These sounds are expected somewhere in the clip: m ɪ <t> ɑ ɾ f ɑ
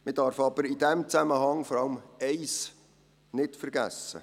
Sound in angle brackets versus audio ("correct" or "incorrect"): incorrect